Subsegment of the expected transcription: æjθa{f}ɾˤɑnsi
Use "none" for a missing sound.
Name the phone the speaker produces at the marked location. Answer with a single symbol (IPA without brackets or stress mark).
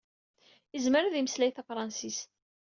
f